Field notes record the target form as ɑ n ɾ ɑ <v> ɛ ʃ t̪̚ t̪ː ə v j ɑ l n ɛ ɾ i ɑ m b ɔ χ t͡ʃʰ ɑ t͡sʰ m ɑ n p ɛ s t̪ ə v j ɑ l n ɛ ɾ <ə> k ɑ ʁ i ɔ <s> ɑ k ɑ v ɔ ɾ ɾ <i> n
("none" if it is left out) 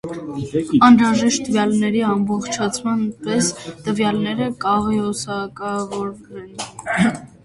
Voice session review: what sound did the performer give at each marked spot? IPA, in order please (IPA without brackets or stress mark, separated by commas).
ʒ, ə, s, ɛ